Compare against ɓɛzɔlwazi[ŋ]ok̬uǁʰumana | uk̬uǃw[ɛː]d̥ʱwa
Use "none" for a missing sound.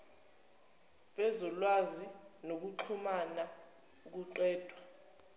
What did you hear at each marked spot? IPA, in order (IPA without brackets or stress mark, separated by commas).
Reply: n, ɛː